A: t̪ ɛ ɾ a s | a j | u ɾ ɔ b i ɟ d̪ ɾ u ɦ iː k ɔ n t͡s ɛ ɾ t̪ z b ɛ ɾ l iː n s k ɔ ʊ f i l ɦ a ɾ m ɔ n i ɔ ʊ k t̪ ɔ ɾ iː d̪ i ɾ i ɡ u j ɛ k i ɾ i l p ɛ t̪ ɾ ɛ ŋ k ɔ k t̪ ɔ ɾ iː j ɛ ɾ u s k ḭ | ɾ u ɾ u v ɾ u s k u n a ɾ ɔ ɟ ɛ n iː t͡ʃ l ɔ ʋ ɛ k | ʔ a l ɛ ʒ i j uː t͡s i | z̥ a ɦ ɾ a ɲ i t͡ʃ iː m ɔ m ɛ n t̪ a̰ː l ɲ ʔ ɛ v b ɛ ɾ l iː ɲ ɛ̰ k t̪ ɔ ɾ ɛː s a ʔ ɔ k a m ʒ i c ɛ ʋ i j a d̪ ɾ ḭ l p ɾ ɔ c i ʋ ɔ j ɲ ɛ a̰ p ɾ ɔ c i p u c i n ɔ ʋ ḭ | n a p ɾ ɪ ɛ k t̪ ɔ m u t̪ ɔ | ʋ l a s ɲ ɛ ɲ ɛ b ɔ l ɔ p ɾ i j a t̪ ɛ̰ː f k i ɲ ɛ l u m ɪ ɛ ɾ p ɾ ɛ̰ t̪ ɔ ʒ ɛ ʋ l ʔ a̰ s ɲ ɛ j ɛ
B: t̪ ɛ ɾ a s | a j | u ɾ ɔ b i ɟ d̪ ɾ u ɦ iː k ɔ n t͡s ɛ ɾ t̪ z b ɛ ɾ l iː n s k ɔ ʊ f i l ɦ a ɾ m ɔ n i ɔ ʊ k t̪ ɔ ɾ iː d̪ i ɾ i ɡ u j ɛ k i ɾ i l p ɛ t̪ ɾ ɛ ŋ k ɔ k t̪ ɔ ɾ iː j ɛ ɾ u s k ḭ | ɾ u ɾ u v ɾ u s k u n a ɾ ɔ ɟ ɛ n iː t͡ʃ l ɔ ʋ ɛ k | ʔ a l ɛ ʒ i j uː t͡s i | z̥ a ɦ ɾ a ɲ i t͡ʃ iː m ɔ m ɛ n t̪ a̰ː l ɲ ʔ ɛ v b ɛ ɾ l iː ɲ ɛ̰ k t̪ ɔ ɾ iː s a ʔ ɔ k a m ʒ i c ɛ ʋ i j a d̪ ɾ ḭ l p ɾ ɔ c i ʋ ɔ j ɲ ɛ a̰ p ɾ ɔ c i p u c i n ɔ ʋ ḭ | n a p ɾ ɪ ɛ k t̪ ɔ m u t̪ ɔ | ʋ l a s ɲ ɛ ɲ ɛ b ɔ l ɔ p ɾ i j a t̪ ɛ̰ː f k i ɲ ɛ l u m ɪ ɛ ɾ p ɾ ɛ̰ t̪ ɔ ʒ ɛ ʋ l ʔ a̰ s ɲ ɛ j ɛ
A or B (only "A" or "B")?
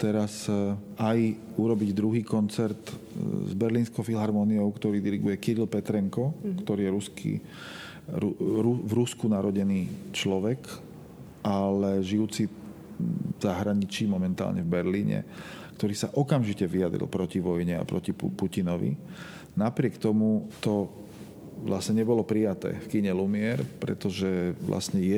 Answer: B